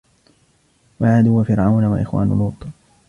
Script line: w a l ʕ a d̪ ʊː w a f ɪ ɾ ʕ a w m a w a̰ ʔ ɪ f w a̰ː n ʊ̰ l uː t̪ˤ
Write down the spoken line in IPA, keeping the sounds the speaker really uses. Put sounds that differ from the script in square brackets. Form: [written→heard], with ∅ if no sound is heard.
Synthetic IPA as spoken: w a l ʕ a d̪ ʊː w a f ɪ ɾ ʕ a w [m→n] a w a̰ ʔ ɪ [f→x] w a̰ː n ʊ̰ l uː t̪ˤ